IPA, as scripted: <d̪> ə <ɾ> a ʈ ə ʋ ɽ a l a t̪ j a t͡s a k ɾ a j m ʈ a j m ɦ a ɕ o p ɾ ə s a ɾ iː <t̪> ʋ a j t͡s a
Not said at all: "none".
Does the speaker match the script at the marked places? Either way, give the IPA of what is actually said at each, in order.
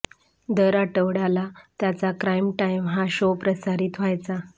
d̪, ɾ, t̪

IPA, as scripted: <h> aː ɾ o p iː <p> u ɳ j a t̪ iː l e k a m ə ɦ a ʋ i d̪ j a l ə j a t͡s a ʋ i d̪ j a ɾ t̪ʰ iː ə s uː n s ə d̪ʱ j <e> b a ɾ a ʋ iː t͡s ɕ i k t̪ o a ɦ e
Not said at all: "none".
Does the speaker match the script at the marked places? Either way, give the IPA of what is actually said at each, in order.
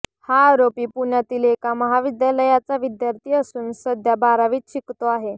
h, p, a

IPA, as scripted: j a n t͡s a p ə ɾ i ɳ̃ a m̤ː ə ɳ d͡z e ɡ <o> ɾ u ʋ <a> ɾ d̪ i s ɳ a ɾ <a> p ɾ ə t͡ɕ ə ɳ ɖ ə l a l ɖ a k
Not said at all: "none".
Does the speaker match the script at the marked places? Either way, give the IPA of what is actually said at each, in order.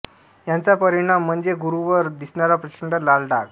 u, ə, a

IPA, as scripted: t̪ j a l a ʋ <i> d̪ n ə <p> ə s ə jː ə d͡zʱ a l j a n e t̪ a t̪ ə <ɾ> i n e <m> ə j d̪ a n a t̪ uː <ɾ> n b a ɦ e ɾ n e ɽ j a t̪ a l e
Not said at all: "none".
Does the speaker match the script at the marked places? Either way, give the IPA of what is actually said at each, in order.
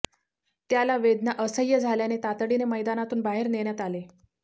e, ʔ, ɽ, m, none

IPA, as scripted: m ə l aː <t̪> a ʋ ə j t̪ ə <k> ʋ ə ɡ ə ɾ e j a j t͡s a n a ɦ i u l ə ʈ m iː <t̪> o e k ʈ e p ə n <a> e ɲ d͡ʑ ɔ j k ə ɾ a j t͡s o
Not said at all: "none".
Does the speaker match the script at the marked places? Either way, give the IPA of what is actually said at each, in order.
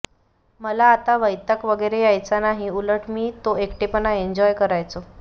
t̪, k, t̪, a

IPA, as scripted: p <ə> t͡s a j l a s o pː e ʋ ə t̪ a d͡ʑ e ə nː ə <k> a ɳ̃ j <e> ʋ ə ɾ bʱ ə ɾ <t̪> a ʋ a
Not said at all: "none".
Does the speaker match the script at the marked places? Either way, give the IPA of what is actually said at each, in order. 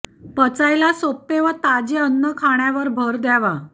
ə, kʰ, a, d̪

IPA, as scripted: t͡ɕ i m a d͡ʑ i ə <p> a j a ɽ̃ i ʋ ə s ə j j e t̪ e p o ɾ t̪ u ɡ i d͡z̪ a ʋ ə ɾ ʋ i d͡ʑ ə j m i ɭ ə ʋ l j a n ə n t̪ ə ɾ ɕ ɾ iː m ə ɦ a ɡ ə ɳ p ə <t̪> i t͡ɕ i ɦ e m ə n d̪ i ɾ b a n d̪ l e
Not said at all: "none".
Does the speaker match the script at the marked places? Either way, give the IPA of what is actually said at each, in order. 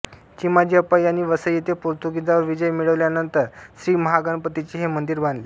p, t̪

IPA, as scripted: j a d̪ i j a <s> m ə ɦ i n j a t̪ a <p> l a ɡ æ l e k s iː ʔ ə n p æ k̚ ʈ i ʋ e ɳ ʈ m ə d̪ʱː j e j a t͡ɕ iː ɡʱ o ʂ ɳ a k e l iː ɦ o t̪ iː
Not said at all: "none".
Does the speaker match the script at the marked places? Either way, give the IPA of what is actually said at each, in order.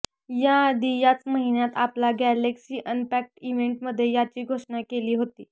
t͡s, p

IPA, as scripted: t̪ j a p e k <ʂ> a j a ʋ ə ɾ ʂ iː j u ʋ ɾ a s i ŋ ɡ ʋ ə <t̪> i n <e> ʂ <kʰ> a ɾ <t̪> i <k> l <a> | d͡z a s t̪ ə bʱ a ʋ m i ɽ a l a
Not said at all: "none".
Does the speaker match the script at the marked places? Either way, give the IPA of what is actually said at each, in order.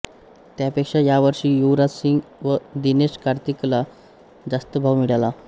ʂ, d̪, e, k, t̪, k, a

